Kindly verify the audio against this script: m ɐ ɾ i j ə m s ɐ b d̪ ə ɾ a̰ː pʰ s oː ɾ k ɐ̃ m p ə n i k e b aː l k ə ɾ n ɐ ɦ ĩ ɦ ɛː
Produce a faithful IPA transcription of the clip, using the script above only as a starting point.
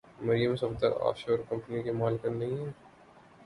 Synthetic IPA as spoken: m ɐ ɾ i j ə m s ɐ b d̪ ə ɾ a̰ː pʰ ʃ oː ɾ k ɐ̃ m p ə n i k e m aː l k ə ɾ n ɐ ɦ ĩ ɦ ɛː